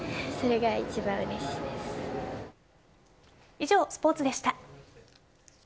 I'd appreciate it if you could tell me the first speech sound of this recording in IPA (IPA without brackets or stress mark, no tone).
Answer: s